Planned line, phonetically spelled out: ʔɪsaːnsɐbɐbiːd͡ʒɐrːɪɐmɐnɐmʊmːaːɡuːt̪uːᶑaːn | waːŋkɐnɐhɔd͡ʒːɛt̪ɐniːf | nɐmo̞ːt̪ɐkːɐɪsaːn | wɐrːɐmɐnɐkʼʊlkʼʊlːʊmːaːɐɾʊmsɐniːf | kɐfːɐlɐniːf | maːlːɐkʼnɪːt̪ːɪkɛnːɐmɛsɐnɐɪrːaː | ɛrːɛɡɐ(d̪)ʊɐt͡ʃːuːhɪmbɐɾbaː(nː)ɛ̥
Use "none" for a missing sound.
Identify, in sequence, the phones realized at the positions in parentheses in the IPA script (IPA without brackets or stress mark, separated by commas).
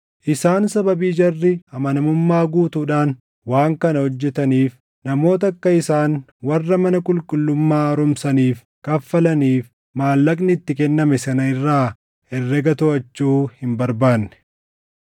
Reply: t̪, nː